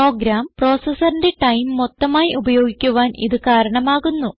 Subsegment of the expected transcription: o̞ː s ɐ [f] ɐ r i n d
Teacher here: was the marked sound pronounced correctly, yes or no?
no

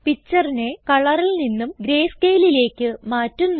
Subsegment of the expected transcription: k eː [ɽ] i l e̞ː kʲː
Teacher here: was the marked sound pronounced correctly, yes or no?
no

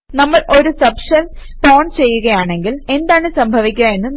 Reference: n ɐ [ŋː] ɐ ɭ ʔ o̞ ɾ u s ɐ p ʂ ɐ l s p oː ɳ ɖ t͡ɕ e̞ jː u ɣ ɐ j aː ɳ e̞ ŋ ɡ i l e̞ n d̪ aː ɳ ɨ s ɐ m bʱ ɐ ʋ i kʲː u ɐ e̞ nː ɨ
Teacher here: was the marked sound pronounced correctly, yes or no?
no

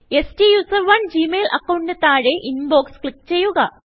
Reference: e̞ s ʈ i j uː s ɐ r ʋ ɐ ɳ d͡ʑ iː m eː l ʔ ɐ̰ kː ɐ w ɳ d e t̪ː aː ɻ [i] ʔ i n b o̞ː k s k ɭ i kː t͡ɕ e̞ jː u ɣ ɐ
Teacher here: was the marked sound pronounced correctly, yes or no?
no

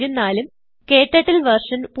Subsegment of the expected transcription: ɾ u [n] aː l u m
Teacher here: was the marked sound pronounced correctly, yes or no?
no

